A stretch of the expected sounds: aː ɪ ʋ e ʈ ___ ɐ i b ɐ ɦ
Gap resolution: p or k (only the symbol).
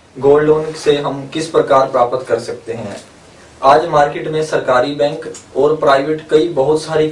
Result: k